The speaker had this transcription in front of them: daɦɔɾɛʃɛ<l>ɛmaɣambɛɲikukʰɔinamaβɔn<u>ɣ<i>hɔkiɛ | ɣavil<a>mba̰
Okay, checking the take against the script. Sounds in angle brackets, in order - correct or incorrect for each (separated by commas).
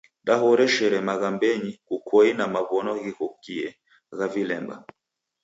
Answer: incorrect, incorrect, correct, incorrect